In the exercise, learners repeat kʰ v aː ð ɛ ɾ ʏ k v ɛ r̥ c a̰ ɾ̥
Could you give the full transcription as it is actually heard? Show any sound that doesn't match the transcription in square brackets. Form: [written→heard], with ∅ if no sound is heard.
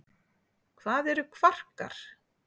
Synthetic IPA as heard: kʰ v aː ð ɛ ɾ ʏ [k→kʰ] v [ɛ→a] r̥ [c→k] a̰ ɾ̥